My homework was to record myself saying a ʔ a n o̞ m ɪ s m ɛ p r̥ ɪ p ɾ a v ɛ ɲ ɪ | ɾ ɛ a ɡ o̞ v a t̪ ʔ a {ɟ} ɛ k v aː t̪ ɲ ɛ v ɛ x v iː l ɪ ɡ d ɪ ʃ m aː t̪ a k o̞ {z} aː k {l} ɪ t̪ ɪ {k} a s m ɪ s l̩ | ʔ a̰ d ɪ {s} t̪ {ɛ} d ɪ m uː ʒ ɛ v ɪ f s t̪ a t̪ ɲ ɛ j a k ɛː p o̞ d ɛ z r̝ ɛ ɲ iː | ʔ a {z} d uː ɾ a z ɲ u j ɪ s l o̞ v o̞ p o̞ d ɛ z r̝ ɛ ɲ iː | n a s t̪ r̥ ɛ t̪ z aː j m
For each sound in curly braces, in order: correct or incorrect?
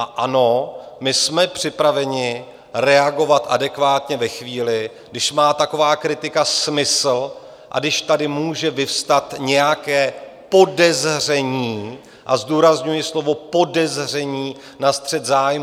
incorrect: d, incorrect: v, incorrect: ɾ, correct, incorrect: ʃ, incorrect: a, correct

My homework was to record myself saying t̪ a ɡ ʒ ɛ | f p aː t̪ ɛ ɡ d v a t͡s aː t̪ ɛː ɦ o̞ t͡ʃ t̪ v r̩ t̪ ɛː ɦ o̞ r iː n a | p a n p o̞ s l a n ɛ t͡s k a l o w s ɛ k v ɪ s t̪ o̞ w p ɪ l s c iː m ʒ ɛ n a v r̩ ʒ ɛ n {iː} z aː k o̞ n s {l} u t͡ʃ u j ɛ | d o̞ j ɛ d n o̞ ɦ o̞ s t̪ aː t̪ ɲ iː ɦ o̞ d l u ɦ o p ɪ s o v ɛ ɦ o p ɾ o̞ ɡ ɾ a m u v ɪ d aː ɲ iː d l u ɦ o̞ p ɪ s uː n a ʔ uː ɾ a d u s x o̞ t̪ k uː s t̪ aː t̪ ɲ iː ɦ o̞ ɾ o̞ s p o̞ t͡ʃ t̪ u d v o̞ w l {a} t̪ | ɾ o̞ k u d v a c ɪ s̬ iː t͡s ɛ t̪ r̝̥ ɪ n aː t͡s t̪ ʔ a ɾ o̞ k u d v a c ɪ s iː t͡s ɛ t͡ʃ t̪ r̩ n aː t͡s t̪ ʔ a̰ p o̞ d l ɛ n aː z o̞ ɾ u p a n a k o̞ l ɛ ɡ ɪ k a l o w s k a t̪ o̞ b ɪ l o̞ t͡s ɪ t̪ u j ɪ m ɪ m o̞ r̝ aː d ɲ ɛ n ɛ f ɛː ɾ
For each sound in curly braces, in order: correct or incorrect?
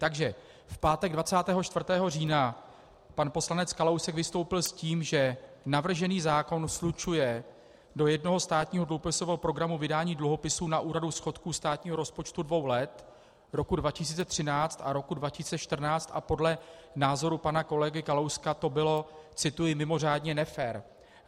correct, correct, incorrect: ɛ

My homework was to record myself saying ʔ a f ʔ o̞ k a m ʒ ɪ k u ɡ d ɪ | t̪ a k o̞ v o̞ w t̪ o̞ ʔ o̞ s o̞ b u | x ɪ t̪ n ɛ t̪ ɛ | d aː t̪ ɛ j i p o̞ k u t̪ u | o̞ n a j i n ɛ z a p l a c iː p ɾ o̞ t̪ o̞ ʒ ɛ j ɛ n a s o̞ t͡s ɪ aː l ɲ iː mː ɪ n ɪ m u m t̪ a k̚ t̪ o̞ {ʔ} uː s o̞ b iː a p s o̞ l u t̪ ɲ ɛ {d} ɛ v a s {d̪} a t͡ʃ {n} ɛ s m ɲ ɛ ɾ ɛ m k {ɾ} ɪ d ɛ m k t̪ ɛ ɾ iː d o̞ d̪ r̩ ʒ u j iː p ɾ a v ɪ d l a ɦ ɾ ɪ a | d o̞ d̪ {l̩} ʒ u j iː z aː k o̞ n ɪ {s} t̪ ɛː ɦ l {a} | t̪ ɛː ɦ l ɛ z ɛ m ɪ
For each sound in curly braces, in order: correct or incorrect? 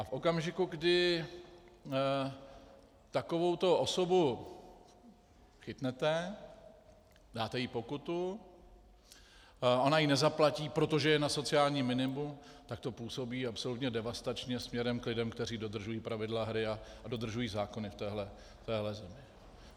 incorrect: p, correct, incorrect: t̪, incorrect: ɲ, incorrect: l, incorrect: r̩, incorrect: f, incorrect: ɛ

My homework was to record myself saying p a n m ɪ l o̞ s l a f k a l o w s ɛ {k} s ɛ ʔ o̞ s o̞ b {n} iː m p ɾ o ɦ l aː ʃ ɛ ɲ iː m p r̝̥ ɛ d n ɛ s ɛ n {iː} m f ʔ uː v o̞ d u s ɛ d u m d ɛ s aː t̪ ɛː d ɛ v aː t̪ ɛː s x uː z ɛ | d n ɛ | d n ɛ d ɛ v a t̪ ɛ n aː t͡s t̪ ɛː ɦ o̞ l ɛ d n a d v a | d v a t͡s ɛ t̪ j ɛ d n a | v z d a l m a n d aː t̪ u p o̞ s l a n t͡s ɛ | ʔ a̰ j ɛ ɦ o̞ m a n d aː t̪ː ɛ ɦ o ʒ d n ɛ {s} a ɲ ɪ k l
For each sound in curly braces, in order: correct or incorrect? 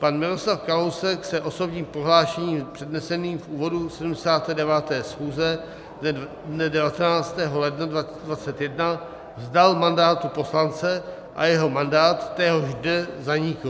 correct, incorrect: ɲ, correct, incorrect: z

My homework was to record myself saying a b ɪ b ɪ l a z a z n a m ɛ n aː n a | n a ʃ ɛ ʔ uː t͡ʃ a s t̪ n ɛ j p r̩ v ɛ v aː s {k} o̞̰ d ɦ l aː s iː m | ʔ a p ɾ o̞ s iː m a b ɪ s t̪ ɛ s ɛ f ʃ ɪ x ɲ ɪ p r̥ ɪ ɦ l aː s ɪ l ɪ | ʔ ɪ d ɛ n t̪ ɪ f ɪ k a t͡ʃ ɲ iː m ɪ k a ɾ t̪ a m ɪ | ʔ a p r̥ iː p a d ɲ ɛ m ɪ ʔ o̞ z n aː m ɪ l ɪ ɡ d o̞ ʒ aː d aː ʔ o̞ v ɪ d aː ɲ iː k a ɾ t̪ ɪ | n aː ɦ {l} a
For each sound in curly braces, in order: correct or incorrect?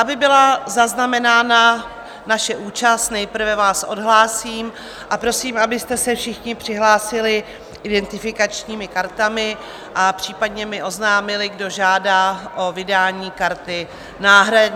incorrect: ʔ, incorrect: ɾ

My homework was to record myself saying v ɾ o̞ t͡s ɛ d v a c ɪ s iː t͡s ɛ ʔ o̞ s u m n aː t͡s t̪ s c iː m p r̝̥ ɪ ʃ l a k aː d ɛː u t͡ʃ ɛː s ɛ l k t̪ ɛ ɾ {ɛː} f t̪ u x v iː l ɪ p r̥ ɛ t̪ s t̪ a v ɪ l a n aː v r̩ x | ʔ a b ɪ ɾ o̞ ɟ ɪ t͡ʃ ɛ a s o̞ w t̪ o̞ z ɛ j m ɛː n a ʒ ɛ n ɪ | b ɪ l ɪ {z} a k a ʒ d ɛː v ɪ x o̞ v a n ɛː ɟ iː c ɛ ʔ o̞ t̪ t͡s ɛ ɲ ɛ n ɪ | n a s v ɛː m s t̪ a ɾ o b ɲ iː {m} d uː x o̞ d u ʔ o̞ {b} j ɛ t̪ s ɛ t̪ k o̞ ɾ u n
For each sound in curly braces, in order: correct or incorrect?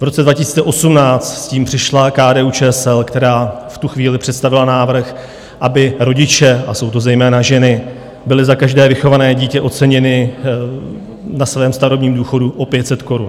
incorrect: aː, correct, correct, incorrect: p

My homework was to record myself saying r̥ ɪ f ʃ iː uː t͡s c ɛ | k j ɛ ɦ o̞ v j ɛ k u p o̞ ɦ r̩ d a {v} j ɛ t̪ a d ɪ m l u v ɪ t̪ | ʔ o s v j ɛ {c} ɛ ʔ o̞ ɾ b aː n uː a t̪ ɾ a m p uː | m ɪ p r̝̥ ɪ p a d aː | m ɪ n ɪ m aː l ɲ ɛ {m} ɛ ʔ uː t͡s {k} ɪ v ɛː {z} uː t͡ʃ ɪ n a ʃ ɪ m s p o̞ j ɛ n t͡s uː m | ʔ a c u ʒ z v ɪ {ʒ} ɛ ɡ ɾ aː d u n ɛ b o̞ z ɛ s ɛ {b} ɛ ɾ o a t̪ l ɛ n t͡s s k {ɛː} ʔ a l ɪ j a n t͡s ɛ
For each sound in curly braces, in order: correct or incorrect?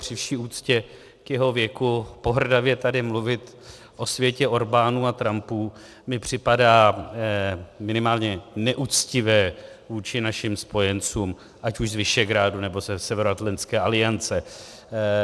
correct, correct, incorrect: n, incorrect: c, incorrect: v, incorrect: ʃ, incorrect: v, correct

